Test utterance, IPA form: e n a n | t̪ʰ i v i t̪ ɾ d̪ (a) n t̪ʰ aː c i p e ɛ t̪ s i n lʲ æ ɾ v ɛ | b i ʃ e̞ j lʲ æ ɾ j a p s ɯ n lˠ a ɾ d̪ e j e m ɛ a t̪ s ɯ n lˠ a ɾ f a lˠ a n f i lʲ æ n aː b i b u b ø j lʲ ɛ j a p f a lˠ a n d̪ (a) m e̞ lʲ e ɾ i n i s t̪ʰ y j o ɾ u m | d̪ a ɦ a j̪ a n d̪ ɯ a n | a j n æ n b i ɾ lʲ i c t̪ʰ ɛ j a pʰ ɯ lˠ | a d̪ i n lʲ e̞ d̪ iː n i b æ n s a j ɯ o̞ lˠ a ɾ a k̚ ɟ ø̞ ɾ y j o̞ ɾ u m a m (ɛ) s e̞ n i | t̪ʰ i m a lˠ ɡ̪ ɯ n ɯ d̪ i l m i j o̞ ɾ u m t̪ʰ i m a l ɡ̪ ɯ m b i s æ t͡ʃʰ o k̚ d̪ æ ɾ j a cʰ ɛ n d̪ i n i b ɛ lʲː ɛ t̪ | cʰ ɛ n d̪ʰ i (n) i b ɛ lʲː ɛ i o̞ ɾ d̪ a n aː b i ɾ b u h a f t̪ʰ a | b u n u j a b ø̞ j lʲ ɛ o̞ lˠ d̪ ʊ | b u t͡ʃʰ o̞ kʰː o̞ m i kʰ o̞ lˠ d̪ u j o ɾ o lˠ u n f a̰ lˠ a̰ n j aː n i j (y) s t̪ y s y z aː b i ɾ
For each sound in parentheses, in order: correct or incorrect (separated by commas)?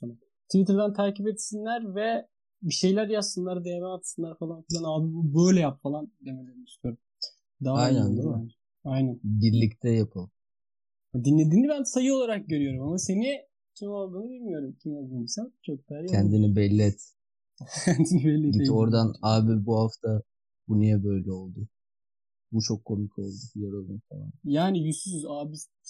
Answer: incorrect, incorrect, incorrect, correct, correct